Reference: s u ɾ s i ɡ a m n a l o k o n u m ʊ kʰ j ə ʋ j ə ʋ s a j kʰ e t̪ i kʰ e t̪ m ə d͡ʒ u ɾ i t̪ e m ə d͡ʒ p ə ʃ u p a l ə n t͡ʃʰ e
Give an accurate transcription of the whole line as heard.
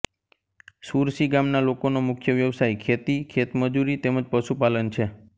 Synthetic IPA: s u ɾ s i ɡ a m n a l o k o n o m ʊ kʰ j ə ʋ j ə ʋ s a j kʰ e t̪ i kʰ e t̪ m ə d͡ʒ u ɾ i t̪ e m ə d͡ʒ p ə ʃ u p a l ə n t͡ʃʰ e